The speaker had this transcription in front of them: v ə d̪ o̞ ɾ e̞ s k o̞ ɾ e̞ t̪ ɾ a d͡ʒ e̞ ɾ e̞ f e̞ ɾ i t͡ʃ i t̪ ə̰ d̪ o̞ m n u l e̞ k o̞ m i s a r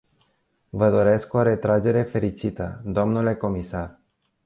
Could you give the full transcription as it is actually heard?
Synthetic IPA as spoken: v ə d̪ o̞ ɾ e̞ s k o̞ ɾ e̞ t̪ ɾ a d͡ʒ e̞ ɾ e̞ f e̞ ɾ i t͡ʃ i t̪ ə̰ d̪ o̞ m n u l e̞ k o̞ m i s a r